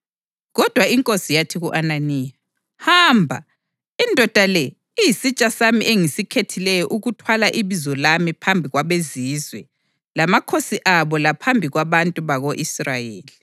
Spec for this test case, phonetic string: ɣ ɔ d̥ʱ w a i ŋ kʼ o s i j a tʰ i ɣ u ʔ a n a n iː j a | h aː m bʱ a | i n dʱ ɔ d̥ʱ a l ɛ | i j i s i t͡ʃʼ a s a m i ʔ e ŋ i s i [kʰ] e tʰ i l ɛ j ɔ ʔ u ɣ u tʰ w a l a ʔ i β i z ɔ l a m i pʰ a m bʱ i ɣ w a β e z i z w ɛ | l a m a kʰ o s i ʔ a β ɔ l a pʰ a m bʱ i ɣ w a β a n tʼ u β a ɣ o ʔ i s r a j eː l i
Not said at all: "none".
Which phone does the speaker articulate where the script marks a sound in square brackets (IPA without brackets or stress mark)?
kʰ